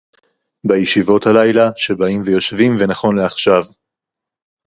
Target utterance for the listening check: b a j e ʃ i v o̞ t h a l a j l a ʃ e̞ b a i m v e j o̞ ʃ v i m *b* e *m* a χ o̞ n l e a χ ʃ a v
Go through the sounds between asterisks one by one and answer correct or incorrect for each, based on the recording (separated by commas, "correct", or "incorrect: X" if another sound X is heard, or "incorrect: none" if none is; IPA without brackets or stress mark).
incorrect: v, incorrect: n